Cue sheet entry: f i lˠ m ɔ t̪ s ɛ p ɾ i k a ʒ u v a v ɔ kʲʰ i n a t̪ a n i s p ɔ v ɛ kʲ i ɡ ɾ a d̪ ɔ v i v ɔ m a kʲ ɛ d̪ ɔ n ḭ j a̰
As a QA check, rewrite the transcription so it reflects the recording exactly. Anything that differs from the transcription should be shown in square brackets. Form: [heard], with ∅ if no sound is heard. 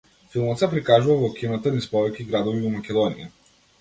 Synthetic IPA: f i lˠ m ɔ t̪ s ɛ p ɾ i k a ʒ u v a v ɔ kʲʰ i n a t̪ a n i s p ɔ v ɛ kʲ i ɡ ɾ a d̪ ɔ v i v ɔ m a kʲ ɛ d̪ ɔ n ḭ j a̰